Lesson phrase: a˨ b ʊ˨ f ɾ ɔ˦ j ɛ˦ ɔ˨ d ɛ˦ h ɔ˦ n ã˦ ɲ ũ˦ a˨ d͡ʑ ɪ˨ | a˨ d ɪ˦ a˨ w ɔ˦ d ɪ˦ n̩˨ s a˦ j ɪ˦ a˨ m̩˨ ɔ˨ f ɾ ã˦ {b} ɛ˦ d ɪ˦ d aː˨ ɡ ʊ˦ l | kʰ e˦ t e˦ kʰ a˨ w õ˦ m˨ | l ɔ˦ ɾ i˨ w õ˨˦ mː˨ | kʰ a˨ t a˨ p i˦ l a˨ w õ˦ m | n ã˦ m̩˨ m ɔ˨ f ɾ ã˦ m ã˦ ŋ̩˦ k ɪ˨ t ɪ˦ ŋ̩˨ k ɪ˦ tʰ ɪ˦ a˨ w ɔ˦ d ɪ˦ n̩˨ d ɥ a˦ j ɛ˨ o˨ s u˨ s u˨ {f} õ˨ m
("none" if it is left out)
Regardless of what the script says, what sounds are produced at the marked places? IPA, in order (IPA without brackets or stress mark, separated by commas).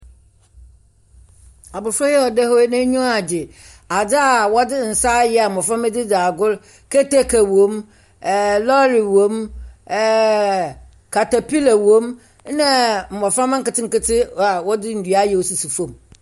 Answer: m, f